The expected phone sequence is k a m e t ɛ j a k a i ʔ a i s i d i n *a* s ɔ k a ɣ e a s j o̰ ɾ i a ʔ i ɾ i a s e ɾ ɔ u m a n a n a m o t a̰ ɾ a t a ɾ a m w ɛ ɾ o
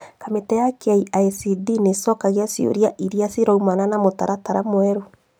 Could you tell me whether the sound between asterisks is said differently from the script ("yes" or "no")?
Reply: yes